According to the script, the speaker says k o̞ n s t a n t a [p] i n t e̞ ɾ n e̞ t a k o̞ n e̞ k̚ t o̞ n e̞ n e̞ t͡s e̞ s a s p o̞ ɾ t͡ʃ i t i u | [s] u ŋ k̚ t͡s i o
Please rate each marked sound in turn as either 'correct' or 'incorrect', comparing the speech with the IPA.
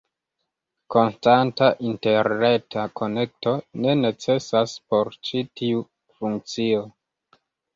incorrect: ʔ, incorrect: f

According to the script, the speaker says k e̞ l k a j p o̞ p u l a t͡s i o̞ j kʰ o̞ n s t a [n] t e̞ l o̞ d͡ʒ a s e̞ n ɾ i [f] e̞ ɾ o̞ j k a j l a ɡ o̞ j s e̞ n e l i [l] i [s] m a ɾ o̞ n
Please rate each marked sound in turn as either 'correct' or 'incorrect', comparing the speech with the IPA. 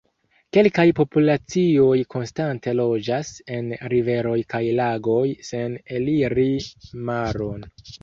correct, incorrect: v, incorrect: ɾ, incorrect: none

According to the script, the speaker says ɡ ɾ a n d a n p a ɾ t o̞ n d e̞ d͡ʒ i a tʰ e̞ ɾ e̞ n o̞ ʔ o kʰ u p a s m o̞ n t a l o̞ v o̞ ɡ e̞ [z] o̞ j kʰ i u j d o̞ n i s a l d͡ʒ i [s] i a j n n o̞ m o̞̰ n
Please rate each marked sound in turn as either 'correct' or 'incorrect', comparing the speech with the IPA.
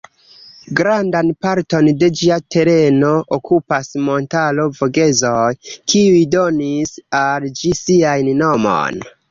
correct, correct

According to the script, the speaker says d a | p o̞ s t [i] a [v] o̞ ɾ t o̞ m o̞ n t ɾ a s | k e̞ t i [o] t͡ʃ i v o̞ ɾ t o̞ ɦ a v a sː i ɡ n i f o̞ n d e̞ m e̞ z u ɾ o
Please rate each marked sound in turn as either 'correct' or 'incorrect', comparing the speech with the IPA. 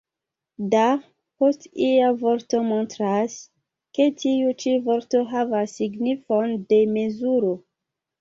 correct, correct, incorrect: u

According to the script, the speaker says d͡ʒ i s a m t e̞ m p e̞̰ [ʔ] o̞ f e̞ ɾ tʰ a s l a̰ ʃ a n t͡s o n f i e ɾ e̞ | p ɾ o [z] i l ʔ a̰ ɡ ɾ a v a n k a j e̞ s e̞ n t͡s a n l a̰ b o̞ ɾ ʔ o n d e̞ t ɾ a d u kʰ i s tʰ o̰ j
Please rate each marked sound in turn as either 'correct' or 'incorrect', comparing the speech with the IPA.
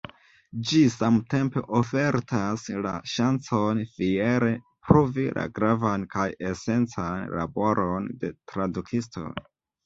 correct, incorrect: v

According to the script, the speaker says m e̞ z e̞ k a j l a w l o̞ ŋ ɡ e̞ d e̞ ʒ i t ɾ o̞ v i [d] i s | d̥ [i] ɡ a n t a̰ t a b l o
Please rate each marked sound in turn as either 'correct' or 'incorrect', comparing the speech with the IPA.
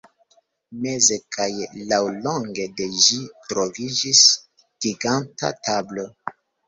incorrect: d͡ʒ, correct

